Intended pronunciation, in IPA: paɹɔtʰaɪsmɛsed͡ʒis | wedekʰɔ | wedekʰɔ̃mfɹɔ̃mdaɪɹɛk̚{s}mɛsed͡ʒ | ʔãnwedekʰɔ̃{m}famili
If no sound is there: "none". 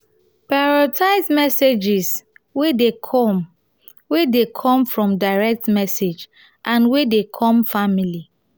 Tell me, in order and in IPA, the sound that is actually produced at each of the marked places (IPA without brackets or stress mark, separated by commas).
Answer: t, m